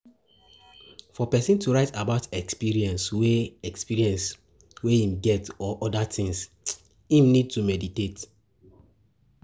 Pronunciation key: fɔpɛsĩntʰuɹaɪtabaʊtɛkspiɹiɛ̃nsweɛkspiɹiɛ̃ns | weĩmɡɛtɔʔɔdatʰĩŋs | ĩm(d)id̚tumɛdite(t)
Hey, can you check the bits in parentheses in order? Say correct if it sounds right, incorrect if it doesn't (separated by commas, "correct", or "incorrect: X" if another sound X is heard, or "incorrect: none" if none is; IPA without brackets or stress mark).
incorrect: n, correct